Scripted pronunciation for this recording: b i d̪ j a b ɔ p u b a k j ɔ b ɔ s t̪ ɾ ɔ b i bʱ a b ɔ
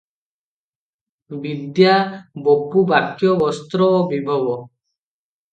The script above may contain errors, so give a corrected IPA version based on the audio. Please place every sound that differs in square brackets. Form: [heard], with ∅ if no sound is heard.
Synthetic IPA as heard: b i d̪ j a b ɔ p u b a k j ɔ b ɔ s t̪ ɾ ɔ b i bʱ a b ɔ

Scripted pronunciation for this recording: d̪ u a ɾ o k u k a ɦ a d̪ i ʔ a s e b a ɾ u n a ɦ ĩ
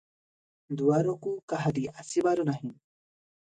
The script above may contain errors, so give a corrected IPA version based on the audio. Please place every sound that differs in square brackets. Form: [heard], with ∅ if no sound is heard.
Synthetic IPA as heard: d̪ u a ɾ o k u k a ɦ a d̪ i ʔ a s [i] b a ɾ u n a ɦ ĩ

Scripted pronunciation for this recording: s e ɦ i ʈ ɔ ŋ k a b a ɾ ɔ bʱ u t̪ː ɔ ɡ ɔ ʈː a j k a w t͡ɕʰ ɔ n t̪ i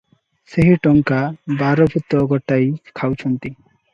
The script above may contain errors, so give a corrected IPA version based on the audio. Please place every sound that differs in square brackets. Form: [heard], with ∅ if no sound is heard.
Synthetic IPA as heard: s e ɦ i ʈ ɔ ŋ k a b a ɾ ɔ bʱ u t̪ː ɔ ɡ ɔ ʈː a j [kʰ] a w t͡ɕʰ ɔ n t̪ i

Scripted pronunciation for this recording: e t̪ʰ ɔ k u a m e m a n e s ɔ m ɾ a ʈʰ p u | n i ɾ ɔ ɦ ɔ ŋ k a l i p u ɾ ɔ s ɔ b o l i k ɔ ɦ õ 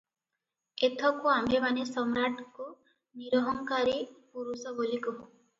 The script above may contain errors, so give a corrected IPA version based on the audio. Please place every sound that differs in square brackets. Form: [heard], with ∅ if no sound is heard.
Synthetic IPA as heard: e t̪ʰ ɔ k u a m e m a n e s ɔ m ɾ a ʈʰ [k] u | n i ɾ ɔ ɦ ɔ ŋ k a [ɾ] i p u ɾ [u] s ɔ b o l i k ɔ ɦ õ

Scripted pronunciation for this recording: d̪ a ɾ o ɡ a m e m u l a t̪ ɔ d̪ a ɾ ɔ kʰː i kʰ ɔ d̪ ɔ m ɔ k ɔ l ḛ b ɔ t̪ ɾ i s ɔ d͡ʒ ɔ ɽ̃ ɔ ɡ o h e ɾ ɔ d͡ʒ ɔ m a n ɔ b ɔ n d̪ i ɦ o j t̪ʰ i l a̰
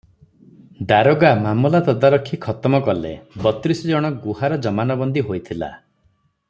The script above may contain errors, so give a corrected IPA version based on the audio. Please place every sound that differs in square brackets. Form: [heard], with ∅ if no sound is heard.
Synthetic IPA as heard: d̪ a ɾ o ɡ a m [a] m u l a t̪ ɔ d̪ a ɾ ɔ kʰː i kʰ ɔ [t̪] ɔ m ɔ k ɔ l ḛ b ɔ t̪ ɾ i s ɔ d͡ʒ ɔ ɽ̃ ɔ ɡ [u] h [a] ɾ ɔ d͡ʒ ɔ m a n ɔ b ɔ n d̪ i ɦ o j t̪ʰ i l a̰

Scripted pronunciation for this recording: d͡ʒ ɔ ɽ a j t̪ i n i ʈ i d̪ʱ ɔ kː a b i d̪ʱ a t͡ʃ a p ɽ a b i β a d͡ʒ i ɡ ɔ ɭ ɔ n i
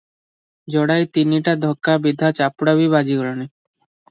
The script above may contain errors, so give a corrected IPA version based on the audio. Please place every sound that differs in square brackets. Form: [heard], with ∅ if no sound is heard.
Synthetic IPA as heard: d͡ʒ ɔ ɽ a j t̪ i n i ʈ [a] d̪ʱ ɔ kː a b i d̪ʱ a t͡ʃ a p ɽ a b i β a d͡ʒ i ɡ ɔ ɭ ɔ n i

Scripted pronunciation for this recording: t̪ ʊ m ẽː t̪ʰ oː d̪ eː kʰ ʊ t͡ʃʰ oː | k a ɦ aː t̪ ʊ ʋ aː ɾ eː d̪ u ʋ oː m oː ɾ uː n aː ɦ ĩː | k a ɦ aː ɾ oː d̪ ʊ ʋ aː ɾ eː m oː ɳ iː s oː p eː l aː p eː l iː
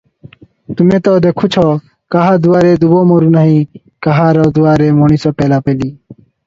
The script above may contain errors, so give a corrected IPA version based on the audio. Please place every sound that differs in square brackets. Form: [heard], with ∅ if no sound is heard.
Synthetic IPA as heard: t̪ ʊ m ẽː [t̪] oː d̪ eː kʰ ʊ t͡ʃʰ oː | k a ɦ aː [d̪] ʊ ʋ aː ɾ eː d̪ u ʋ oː m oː ɾ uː n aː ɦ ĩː | k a ɦ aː ɾ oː d̪ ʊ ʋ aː ɾ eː m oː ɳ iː s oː p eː l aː p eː l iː

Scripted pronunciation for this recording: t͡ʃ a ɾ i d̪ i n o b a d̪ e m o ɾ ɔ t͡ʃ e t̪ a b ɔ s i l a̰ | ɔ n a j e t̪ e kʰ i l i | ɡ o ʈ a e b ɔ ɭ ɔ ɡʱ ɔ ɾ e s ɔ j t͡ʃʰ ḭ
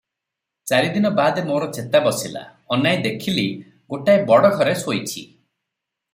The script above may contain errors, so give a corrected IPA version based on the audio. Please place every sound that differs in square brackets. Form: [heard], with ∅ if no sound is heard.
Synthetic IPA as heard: t͡ʃ a ɾ i d̪ i n [ɔ] b a d̪ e m o ɾ ɔ t͡ʃ e t̪ a b ɔ s i l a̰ | ɔ n a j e [d̪] e kʰ i l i | ɡ o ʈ a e b ɔ [ɽ] ɔ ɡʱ ɔ ɾ e s [o] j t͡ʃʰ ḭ

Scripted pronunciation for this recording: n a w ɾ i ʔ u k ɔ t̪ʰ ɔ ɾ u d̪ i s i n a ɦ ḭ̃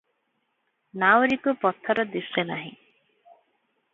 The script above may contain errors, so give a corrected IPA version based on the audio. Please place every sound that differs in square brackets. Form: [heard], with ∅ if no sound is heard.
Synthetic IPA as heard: n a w ɾ i [k] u [p] ɔ t̪ʰ ɔ ɾ [ɔ] d̪ i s [e] n a ɦ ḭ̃

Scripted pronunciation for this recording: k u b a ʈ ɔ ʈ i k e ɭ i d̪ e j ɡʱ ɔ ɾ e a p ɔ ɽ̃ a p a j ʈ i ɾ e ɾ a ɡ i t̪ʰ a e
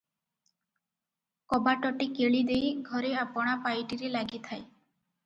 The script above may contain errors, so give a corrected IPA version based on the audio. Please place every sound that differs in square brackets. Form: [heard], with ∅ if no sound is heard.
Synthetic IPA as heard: k [ɔ] b a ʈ ɔ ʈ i k e ɭ i d̪ e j ɡʱ ɔ ɾ e a p ɔ ɽ̃ a p a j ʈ i ɾ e [l] a ɡ i t̪ʰ a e

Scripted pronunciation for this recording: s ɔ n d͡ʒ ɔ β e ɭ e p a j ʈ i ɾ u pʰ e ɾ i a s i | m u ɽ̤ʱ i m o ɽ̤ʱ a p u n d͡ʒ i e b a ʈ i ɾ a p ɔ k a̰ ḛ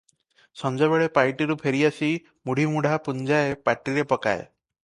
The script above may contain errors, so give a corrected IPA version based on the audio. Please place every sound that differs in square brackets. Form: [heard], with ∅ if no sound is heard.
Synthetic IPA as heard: s ɔ n d͡ʒ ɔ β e ɭ e p a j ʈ i ɾ u pʰ e ɾ i a s i | m u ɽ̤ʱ i m [u] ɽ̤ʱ a p u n d͡ʒ [a] e [p] a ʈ i ɾ [e] p ɔ k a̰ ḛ

